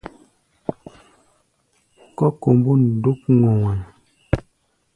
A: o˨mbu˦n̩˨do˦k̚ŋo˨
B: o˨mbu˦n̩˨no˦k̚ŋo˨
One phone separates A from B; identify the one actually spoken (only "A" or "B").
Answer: A